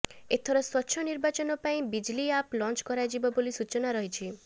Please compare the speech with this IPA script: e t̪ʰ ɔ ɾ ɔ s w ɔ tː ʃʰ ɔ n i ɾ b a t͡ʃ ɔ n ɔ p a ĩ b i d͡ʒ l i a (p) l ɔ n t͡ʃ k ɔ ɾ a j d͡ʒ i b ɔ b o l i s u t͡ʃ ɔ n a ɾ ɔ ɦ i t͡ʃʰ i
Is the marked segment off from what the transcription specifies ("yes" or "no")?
no